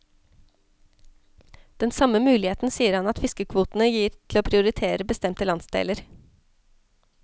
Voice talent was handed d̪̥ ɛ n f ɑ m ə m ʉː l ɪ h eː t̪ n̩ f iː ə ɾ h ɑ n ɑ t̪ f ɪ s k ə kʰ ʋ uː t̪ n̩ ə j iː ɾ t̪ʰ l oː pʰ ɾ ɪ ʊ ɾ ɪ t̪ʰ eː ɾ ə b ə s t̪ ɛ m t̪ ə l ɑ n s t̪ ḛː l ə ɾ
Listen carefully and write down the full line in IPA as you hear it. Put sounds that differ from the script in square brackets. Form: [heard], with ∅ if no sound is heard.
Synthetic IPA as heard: d̪̥ ɛ n [s] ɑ m ə m ʉː l ɪ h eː t̪ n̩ [s] iː ə ɾ h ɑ n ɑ t̪ f ɪ s k ə kʰ ʋ uː t̪ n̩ ə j iː ɾ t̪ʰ l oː pʰ ɾ ɪ ʊ ɾ ɪ t̪ʰ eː ɾ ə b ə s t̪ ɛ m t̪ ə l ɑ n s [d̪] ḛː l ə ɾ